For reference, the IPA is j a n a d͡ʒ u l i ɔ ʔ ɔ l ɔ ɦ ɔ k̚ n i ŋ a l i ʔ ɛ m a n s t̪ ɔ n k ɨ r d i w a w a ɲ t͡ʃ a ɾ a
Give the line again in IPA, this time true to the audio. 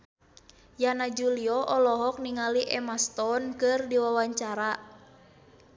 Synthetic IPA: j a n a d͡ʒ u l i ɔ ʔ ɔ l ɔ ɦ ɔ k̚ n i ŋ a l i ʔ ɛ m a s t̪ ɔ n k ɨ r d i w a w a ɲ t͡ʃ a ɾ a